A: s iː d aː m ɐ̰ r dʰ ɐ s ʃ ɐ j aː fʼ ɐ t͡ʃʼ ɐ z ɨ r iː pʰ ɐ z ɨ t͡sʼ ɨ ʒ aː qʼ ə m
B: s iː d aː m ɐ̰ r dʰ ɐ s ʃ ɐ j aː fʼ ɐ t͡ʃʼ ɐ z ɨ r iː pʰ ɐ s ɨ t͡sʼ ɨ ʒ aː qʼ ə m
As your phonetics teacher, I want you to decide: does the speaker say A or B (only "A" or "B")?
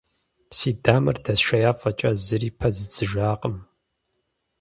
A